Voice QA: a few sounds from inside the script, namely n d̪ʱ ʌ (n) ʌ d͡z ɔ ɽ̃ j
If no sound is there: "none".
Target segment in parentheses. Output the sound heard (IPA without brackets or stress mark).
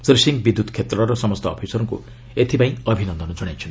n